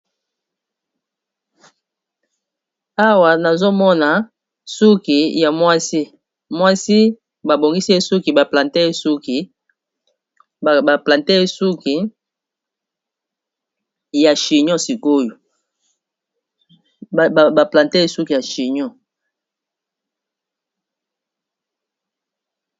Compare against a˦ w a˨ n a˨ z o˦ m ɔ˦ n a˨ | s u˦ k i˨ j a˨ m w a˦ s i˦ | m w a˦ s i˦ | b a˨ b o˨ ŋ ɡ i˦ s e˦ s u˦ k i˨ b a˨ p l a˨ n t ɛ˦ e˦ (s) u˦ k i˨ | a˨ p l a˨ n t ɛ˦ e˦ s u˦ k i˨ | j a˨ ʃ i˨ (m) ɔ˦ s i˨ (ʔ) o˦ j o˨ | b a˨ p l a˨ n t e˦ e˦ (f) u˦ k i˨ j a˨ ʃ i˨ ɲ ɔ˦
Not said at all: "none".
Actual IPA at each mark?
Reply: s, ɲ, k, s

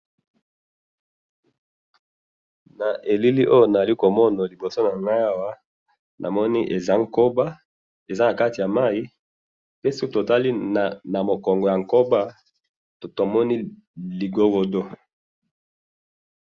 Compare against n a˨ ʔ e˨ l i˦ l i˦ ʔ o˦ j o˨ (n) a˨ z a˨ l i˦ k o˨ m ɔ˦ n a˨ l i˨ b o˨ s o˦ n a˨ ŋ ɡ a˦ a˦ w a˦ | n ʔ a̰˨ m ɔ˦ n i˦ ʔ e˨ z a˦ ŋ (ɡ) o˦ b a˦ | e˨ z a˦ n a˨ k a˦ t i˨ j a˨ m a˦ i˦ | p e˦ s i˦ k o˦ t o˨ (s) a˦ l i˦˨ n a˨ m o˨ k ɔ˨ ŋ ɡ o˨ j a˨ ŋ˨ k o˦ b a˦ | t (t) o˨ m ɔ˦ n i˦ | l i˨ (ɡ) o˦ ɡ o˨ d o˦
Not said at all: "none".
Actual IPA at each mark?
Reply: n, k, t, t, ɡ

